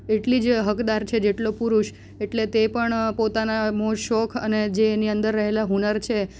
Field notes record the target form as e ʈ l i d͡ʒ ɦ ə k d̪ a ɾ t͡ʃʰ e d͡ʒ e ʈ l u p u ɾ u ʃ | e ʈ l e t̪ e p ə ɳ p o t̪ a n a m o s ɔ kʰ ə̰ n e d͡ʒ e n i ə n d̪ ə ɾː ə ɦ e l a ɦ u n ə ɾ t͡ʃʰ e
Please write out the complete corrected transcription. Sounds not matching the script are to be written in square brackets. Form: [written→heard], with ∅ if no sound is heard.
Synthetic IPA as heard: e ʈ l i d͡ʒ ɦ ə k d̪ a ɾ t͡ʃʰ e d͡ʒ e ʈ l [u→o] p u ɾ u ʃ | e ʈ l e t̪ e p ə ɳ p o t̪ a n a m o [s→ʃ] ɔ kʰ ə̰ n e d͡ʒ e n i ə n d̪ ə ɾː ə ɦ e l a ɦ u n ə ɾ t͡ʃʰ e